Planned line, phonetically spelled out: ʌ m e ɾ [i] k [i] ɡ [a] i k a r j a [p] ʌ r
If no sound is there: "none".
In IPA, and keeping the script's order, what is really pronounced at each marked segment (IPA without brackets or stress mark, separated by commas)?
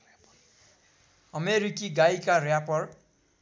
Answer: i, i, a, p